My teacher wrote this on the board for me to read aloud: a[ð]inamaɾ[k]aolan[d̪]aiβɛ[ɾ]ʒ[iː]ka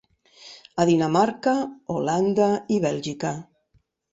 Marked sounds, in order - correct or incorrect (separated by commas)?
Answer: correct, correct, correct, incorrect, incorrect